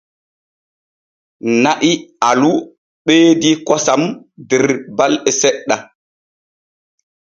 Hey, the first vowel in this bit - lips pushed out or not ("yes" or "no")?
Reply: no